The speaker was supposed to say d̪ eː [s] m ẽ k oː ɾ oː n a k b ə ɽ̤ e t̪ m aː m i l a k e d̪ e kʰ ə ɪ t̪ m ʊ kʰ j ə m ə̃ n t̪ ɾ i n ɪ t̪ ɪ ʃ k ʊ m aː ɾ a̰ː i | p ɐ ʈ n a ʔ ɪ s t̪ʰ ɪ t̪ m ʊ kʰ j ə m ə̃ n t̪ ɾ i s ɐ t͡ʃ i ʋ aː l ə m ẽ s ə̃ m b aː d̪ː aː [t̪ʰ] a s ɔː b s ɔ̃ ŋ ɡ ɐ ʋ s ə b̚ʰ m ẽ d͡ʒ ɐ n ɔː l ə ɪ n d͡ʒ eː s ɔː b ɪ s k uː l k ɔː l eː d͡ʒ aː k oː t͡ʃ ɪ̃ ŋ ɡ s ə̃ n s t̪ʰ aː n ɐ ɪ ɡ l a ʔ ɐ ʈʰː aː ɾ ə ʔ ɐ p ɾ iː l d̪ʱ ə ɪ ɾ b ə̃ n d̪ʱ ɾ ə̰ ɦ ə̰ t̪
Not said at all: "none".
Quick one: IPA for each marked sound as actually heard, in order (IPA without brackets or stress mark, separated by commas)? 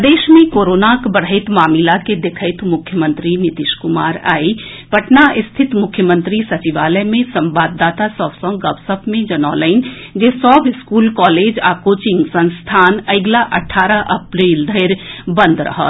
ʃ, t̪